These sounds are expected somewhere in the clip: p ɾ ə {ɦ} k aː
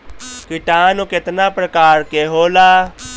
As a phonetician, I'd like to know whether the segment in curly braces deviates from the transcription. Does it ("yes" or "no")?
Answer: yes